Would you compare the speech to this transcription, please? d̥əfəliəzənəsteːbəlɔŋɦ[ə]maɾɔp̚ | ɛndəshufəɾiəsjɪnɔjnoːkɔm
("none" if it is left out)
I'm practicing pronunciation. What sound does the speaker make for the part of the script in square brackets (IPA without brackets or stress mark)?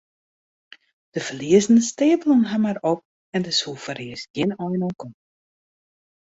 a